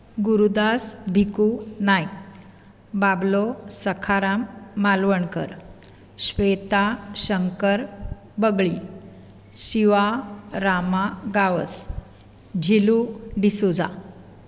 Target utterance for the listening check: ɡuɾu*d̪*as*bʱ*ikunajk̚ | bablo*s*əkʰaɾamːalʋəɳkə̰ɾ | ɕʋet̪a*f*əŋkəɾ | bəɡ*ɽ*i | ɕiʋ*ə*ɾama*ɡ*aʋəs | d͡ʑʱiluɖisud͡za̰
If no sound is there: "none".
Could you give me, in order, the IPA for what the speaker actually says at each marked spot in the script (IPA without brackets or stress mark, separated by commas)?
d̪, bʱ, s, ɕ, ɭ, a, ɡ